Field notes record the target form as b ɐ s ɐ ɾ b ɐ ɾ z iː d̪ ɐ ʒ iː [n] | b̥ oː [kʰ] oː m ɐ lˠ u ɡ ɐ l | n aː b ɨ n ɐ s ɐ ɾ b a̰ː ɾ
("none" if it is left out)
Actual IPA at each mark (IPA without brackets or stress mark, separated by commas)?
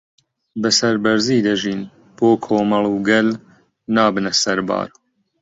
n, kʰ